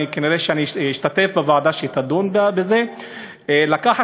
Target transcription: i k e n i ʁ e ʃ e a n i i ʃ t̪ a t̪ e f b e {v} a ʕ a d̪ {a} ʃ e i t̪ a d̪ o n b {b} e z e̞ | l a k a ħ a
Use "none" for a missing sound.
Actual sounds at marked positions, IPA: v, a, b

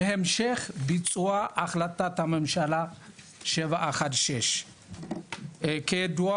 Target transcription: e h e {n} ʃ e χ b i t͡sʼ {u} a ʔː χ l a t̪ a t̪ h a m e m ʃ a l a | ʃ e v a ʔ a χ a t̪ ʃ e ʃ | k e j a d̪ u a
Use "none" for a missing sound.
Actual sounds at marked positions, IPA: m, u

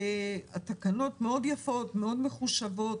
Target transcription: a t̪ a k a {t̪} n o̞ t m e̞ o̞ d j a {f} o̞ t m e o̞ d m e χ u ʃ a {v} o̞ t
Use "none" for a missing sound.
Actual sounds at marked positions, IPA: none, f, v

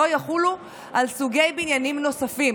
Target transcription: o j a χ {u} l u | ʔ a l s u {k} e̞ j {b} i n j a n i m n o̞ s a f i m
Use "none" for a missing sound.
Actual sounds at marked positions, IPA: u, ɡ, b

